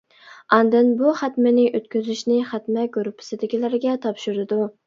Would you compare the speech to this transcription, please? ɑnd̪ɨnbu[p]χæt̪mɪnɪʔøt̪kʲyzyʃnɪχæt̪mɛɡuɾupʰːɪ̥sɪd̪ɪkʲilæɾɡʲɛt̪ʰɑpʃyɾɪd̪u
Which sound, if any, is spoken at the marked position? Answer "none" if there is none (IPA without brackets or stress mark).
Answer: none